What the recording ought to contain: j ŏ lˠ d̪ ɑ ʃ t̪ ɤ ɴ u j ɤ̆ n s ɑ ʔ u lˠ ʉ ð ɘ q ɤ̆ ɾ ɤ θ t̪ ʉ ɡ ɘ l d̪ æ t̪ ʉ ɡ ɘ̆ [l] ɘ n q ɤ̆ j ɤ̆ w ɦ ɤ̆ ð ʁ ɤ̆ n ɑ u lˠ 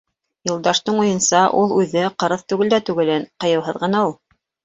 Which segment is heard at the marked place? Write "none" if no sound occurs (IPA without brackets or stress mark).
l